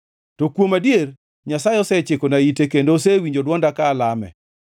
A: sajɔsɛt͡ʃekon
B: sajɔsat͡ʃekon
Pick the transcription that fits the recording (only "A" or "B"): A